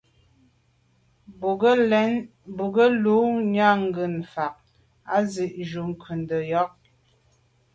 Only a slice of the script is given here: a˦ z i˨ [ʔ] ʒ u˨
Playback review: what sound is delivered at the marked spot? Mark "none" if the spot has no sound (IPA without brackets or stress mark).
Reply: ʔ